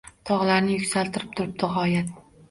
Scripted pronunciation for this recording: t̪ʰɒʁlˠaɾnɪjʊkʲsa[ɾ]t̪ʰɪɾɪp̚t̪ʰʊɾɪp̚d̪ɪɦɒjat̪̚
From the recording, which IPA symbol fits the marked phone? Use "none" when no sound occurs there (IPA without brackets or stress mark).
l